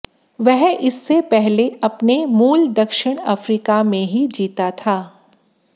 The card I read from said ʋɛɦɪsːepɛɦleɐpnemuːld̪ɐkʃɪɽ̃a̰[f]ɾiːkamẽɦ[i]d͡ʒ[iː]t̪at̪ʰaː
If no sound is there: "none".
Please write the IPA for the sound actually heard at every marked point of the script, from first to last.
f, i, iː

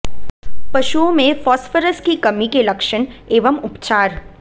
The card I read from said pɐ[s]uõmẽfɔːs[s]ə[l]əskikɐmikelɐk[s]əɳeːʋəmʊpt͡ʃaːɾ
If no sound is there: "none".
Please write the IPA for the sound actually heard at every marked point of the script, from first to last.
ʃ, f, ɾ, ʃ

